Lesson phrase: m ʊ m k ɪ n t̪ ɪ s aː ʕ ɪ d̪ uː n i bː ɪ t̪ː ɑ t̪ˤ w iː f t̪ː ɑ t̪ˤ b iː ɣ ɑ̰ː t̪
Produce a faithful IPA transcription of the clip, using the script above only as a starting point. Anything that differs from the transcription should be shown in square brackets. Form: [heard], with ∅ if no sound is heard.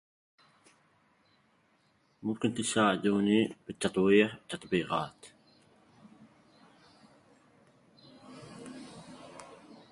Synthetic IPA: m ʊ m k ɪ n t̪ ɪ s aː ʕ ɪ d̪ uː n i [b] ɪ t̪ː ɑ t̪ˤ w iː [ħ] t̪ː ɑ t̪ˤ b iː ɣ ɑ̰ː t̪